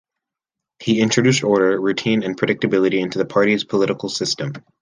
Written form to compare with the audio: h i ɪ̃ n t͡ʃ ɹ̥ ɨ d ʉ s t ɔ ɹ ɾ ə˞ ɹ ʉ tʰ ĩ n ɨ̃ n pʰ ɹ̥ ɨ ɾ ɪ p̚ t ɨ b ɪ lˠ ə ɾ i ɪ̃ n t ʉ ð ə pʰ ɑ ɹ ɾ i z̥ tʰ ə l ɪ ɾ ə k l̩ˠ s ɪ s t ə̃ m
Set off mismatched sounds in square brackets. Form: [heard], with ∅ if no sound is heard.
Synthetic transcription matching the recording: h i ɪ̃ n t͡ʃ ɹ̥ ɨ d ʉ s t ɔ ɹ ɾ ə˞ ɹ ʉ tʰ ĩ n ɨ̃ n pʰ ɹ̥ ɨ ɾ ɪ [k̚] t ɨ b ɪ lˠ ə ɾ i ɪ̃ n t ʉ ð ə pʰ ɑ ɹ ɾ i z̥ [pʰ] ə l ɪ ɾ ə k l̩ˠ s ɪ s t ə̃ m